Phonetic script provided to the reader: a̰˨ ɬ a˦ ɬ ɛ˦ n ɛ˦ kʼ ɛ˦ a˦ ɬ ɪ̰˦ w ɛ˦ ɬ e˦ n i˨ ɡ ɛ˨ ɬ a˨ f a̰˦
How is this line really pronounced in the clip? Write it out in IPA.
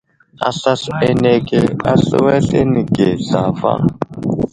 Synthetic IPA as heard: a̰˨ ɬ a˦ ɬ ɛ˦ n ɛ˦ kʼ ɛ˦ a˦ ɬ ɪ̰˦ w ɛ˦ ɬ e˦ n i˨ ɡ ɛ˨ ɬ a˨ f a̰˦